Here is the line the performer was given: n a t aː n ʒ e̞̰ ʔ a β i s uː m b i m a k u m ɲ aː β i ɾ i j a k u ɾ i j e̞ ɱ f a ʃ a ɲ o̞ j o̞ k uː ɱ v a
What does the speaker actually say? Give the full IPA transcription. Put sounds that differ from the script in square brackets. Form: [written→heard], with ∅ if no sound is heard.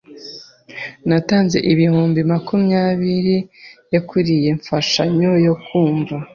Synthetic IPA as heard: n a t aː n [ʒ→z] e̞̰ ʔ [a→i] β i [s→h] uː m b i m a k u m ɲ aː β i ɾ i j a k u ɾ i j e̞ ɱ f a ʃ a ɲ o̞ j o̞ k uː ɱ v a